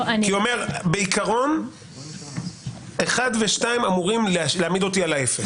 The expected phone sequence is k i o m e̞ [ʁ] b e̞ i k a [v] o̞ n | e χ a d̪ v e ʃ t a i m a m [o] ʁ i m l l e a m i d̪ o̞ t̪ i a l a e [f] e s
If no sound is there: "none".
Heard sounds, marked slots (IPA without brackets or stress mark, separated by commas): ʁ, ʁ, u, f